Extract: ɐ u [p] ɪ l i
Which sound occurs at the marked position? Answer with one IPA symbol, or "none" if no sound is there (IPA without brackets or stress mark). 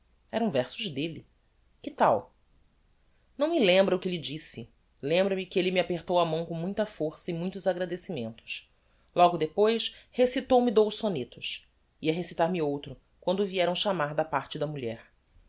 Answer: k